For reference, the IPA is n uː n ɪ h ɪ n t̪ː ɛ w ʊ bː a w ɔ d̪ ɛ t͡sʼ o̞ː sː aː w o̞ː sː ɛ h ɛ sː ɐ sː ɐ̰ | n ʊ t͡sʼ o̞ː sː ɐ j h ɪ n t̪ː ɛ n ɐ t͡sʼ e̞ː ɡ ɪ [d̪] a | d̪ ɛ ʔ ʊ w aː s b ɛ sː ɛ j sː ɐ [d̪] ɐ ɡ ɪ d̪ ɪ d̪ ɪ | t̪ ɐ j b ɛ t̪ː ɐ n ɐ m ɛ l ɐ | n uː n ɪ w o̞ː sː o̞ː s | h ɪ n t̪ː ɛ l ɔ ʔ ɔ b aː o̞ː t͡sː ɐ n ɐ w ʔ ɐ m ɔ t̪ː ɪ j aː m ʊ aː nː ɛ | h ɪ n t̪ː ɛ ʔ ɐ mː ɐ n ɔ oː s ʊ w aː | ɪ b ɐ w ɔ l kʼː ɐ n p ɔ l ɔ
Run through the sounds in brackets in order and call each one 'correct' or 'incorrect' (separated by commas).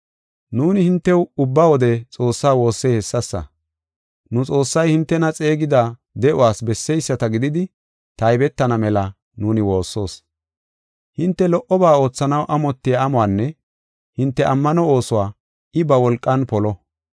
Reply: correct, incorrect